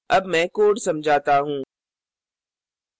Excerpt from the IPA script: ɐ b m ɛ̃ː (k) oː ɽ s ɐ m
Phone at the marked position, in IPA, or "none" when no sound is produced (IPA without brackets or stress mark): k